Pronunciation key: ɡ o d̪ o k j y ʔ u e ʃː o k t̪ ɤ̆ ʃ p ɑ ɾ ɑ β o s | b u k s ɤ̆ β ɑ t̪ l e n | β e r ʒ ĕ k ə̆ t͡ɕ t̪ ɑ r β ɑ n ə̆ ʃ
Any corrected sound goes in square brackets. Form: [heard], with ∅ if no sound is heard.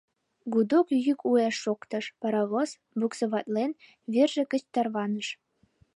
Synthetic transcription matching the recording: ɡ [u] d̪ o k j y [k] u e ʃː o k t̪ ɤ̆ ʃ p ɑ ɾ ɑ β o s | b u k s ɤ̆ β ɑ t̪ l e n | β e r ʒ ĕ k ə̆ t͡ɕ t̪ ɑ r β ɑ n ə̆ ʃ